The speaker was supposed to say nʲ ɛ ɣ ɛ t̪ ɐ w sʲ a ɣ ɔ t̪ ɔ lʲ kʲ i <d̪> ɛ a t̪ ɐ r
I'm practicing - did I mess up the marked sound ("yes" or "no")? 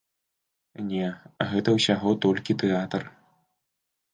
yes